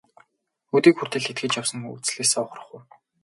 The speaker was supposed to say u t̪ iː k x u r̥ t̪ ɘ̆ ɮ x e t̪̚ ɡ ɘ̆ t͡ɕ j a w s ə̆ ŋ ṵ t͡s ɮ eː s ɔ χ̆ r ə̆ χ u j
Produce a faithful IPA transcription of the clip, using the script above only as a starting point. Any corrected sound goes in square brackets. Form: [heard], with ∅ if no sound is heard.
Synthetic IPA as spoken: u t̪ iː k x u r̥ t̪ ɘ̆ ɮ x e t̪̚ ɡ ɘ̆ t͡ɕ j a w s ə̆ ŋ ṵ t͡s ɮ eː s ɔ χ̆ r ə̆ χ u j